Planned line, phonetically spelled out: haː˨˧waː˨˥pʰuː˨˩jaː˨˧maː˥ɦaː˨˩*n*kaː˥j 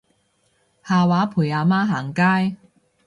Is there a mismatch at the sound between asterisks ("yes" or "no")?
yes